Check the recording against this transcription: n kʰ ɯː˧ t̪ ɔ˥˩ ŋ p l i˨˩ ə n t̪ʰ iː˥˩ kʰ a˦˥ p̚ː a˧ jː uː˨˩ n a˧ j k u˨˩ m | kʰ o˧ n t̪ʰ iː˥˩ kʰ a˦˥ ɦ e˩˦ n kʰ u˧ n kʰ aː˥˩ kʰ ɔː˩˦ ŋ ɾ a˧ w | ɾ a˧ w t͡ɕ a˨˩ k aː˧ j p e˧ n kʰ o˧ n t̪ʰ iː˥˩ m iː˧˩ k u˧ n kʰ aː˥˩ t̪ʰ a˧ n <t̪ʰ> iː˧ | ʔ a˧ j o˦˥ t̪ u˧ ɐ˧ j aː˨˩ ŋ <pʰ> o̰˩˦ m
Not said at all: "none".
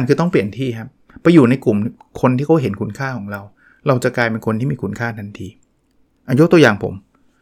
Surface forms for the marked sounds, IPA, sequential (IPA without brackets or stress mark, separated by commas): t̪ʰ, pʰ